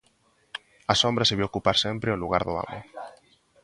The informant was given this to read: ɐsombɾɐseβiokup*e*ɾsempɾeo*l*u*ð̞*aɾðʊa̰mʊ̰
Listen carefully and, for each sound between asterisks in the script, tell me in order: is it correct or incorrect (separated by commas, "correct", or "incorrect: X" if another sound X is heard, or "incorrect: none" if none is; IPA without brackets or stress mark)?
incorrect: a, correct, incorrect: ɣ̞